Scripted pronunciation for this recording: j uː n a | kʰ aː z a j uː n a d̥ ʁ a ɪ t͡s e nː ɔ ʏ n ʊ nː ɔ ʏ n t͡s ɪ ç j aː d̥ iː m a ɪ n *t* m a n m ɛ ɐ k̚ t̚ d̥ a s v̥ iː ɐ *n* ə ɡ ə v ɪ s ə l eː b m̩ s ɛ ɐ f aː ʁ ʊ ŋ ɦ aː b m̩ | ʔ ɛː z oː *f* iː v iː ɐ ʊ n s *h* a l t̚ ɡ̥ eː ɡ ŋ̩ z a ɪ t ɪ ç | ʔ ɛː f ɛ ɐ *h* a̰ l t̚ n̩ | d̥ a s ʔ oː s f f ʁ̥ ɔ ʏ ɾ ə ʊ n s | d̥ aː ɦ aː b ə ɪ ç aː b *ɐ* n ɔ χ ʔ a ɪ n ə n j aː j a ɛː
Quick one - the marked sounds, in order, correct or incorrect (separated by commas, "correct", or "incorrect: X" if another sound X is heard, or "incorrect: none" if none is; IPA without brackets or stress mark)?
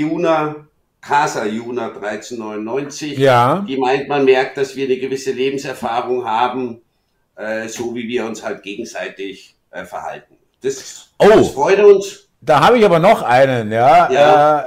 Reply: correct, correct, incorrect: v, correct, correct, correct